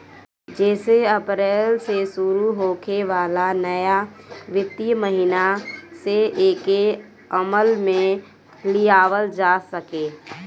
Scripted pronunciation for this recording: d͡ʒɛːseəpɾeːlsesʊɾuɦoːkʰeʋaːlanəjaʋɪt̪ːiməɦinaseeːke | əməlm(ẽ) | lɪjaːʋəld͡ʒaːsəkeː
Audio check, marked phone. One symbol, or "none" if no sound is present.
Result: ẽ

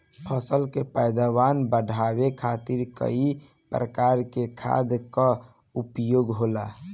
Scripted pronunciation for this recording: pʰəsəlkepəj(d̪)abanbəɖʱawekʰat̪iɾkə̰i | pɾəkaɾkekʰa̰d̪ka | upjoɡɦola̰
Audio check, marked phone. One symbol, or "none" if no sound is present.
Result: d̪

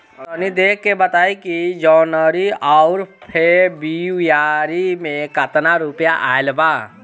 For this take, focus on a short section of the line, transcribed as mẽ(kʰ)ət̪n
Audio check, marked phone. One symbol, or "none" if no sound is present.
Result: k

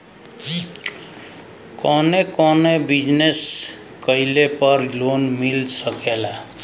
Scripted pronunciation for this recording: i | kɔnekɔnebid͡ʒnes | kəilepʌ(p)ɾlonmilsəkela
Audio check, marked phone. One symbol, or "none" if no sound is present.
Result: none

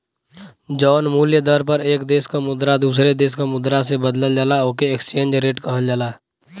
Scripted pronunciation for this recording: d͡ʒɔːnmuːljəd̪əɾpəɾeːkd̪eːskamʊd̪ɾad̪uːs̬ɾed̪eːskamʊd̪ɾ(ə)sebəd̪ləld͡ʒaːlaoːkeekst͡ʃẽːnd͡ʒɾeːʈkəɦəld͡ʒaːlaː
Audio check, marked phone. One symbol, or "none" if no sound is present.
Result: a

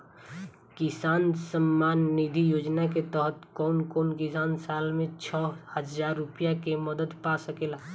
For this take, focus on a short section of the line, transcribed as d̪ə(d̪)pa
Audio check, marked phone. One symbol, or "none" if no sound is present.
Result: d̪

